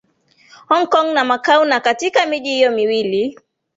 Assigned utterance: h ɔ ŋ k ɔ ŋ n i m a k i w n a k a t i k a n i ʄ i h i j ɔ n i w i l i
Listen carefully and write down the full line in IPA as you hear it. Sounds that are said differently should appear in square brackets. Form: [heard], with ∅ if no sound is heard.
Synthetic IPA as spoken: h ɔ ŋ k ɔ ŋ n [a] m a k [a] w n a k a t i k a [m] i ʄ i h i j ɔ [m] i w i l i